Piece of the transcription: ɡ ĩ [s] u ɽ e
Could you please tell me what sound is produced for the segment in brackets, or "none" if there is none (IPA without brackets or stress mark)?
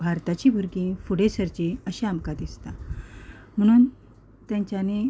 f